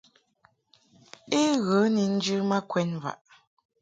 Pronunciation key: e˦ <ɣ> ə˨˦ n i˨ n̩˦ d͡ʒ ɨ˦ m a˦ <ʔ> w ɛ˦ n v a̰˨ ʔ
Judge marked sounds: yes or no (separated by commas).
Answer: yes, no